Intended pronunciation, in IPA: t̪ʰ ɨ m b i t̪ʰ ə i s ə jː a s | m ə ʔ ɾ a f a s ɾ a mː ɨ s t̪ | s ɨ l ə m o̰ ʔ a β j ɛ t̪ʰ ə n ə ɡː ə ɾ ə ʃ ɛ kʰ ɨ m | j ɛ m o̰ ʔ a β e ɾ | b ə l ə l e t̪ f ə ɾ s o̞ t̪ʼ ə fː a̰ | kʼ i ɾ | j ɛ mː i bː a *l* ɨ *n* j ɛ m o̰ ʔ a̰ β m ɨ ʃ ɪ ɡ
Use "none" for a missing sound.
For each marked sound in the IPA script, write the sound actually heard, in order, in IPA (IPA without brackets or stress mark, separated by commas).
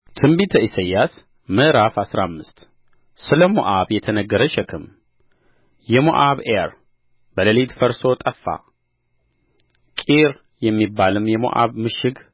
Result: l, m